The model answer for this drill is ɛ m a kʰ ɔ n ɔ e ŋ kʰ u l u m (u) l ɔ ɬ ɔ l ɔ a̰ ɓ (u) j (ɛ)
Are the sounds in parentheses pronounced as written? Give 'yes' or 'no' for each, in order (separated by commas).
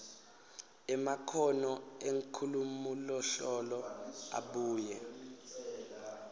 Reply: yes, no, yes